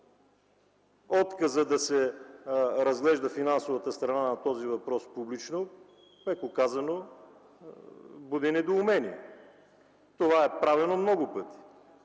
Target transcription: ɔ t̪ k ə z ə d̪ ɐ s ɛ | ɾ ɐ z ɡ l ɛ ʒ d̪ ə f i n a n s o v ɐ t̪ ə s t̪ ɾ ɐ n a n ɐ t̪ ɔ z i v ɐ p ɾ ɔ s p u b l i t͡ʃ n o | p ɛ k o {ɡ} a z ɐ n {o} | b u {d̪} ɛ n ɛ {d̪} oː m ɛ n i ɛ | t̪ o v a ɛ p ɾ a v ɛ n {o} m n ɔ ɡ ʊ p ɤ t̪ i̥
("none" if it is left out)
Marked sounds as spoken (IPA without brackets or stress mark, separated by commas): k, o, d̪, d̪, o